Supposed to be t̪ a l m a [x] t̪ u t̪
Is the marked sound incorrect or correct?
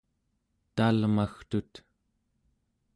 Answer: correct